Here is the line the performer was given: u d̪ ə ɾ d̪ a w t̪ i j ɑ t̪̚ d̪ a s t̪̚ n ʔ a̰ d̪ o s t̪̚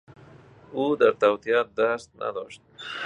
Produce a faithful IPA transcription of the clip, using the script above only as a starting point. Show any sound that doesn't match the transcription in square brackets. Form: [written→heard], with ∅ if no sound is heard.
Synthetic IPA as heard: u d̪ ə ɾ [d̪→t̪] a w t̪ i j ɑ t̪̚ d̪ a s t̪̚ n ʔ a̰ d̪ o [s→ʃ] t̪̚